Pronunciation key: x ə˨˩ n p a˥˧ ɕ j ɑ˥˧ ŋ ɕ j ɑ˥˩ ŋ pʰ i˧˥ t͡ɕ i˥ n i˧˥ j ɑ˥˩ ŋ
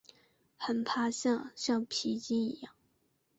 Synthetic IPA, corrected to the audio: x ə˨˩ n pʰ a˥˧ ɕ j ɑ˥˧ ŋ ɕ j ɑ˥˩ ŋ pʰ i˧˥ t͡ɕ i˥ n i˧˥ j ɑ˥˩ ŋ